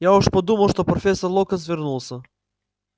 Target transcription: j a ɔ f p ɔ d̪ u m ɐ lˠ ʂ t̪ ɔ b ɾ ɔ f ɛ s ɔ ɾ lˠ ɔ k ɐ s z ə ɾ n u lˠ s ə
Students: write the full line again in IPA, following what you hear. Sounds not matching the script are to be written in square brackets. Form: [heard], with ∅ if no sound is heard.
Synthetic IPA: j a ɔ [ʃ] p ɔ d̪ u m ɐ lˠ [ʃ] t̪ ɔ [p] ɾ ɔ f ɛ s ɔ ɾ lˠ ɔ k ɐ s [v] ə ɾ n u lˠ s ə

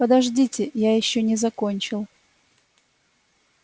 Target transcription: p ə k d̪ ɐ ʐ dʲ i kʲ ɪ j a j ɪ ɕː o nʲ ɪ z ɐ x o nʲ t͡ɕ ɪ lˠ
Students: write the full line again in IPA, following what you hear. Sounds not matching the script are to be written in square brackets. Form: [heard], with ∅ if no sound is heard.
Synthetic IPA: p ə [∅] d̪ ɐ ʐ dʲ i [tʲ] ɪ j a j ɪ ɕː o nʲ ɪ z ɐ [k] o nʲ t͡ɕ ɪ lˠ

